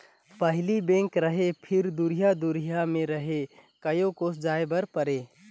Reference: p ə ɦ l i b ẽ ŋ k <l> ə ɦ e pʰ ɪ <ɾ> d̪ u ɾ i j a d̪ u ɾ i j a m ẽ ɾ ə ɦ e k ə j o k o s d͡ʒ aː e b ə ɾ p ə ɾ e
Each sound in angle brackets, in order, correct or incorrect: incorrect, correct

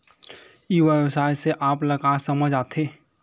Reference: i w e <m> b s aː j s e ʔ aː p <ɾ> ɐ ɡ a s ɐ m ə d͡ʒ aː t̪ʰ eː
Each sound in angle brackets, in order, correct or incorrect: incorrect, incorrect

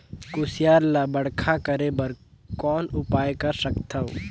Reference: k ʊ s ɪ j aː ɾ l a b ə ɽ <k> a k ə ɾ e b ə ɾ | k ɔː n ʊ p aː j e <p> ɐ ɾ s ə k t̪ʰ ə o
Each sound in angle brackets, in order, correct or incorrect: incorrect, incorrect

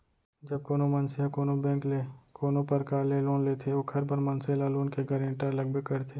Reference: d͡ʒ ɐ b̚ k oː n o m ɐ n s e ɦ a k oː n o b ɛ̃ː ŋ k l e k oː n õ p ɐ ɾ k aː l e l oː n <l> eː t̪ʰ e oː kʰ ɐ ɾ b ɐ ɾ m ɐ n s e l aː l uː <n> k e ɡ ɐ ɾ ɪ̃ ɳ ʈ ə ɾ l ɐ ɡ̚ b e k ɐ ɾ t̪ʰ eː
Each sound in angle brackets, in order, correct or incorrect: correct, correct

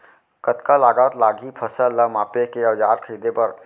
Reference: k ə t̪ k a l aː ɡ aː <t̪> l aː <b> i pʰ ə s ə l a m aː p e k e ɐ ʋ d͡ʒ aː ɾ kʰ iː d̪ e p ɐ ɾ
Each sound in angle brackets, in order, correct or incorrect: correct, incorrect

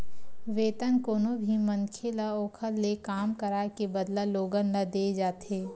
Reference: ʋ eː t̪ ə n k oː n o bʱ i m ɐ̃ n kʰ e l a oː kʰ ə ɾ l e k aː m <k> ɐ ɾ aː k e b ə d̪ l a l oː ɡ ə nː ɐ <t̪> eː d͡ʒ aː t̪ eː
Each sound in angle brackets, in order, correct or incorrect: correct, incorrect

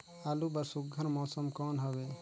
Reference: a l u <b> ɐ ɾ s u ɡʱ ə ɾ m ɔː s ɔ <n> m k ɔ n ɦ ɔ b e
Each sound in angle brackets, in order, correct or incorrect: correct, incorrect

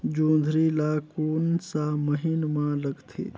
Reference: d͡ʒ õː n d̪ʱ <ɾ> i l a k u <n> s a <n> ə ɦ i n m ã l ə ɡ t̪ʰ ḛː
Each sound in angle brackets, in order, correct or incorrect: correct, correct, incorrect

